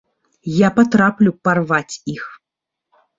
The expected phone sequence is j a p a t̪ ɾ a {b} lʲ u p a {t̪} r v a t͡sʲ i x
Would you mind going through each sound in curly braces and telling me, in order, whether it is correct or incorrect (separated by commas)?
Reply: incorrect, incorrect